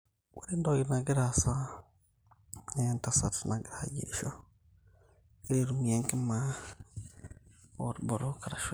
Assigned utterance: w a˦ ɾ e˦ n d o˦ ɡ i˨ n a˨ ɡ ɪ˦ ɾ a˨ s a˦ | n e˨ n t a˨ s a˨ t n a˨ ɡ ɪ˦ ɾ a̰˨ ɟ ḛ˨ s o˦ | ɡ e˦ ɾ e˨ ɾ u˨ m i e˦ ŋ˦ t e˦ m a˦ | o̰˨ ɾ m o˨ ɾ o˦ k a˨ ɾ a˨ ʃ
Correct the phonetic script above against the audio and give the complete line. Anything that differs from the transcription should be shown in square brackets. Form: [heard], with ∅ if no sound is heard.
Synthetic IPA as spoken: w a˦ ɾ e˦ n d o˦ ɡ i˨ n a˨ ɡ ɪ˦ ɾ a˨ s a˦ | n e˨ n t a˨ s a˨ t n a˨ ɡ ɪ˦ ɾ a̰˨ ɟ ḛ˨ [ʃ] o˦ | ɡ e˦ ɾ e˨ ɾ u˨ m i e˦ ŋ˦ [k] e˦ m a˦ | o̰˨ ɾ [b] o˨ ɾ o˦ k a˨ ɾ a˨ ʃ